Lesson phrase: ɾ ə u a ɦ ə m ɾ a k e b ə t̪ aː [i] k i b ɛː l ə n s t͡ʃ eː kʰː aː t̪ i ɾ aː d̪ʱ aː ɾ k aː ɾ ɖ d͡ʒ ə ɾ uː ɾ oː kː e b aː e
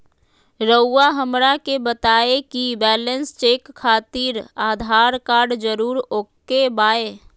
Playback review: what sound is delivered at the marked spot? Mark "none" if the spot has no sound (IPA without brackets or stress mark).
e